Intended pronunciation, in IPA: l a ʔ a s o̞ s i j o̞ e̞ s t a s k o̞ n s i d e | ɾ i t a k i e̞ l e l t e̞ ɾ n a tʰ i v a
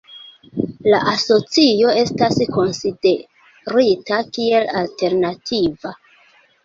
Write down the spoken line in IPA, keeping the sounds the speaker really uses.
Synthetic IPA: l a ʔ a s o̞ t͡s i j o̞ e̞ s t a s k o̞ n s i d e | ɾ i t a k i e̞ l a l t e̞ ɾ n a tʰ i v a

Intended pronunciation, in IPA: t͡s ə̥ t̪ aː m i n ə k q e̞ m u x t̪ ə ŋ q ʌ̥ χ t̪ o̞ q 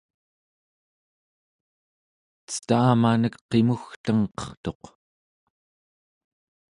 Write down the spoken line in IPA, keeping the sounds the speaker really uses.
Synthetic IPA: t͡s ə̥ t̪ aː m a n ə k q e̞ m u x t̪ ə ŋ q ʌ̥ χ t̪ o̞ q

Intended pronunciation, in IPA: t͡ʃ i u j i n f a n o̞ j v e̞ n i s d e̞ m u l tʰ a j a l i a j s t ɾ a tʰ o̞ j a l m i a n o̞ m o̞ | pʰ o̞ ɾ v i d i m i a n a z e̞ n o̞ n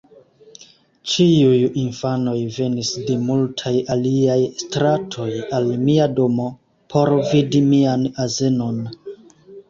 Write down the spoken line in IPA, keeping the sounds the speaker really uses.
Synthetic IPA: t͡ʃ i u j i n f a n o̞ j v e̞ n i s d e̞ m u l tʰ a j a l i a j s t ɾ a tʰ o̞ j a l m i a d o̞ m o̞ | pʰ o̞ ɾ v i d i m i a n a z e̞ n o̞ n

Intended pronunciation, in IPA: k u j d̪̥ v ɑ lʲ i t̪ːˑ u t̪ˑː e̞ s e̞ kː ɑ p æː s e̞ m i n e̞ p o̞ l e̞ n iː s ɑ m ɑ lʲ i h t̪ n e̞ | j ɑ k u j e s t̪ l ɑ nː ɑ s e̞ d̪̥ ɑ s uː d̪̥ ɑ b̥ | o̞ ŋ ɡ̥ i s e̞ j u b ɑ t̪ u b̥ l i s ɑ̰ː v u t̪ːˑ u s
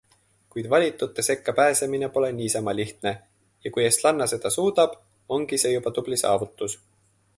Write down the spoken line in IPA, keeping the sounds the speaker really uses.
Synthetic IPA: k u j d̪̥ v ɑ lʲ i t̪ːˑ u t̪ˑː e̞ s e̞ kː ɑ p æː s e̞ m i n e̞ p o̞ l e̞ n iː s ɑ m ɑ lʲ i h t̪ n e̞ | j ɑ k u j e s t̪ l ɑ nː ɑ s e̞ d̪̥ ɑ s uː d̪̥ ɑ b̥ | o̞ ŋ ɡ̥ i s e̞ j u b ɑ t̪ u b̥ l i s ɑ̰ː v u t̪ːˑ u s

